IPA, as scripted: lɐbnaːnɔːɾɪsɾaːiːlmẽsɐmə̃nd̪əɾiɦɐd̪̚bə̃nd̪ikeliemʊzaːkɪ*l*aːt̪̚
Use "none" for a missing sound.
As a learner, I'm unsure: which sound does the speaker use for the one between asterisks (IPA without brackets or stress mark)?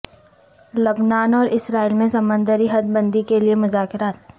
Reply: ɾ